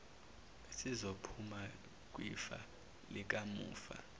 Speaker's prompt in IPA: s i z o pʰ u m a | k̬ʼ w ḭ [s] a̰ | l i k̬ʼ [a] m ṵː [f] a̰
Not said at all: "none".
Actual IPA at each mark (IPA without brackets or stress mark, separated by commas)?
f, a, f